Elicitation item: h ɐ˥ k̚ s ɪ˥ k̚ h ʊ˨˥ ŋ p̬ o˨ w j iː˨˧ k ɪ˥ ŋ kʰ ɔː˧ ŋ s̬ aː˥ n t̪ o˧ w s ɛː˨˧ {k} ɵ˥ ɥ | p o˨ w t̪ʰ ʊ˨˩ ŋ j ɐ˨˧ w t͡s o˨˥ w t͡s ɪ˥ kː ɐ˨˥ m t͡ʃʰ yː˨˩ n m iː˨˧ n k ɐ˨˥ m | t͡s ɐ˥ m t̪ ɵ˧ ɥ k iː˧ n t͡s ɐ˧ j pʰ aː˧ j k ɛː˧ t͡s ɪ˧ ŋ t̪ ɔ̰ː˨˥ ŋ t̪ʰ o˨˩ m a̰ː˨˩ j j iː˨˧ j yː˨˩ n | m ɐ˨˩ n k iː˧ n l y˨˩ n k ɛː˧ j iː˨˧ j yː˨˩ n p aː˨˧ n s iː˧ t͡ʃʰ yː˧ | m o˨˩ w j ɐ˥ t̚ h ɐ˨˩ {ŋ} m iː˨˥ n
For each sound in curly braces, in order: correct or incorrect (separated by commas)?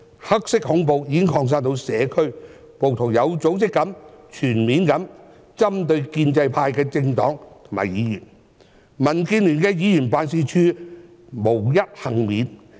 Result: incorrect, correct